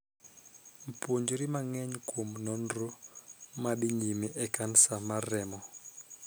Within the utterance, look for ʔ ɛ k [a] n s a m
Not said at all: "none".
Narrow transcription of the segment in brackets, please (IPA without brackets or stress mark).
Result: a